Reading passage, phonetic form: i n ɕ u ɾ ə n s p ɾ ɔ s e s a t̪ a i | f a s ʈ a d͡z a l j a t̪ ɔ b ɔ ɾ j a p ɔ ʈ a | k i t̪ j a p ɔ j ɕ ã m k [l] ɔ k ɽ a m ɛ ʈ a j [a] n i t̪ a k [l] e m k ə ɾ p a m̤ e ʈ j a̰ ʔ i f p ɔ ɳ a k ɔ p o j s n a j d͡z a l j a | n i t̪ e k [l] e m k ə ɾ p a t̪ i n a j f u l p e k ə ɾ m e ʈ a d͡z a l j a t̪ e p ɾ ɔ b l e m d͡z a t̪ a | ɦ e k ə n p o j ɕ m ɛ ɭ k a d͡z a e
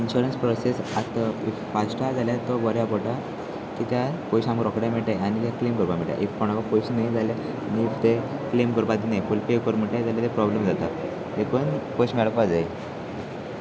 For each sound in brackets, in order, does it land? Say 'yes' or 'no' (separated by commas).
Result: no, yes, yes, yes